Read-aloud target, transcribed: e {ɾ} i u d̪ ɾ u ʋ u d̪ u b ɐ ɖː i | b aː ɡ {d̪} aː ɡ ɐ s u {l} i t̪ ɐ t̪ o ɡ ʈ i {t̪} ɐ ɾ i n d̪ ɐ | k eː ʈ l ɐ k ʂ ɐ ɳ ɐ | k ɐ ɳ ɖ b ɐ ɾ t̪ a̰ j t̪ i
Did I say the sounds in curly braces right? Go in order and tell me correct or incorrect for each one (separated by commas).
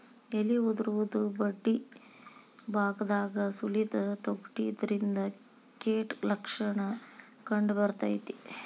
incorrect, correct, correct, incorrect